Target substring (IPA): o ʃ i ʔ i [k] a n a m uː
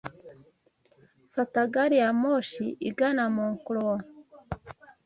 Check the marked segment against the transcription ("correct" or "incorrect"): incorrect